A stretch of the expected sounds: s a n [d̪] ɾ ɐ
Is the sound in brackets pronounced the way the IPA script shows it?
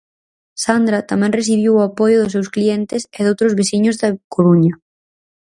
yes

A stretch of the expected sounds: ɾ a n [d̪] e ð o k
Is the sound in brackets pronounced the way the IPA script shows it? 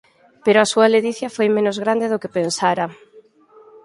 yes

